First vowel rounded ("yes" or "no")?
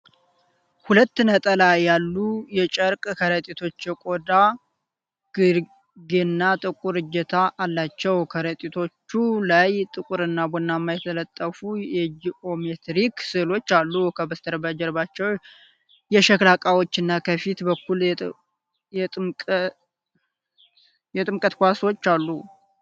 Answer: yes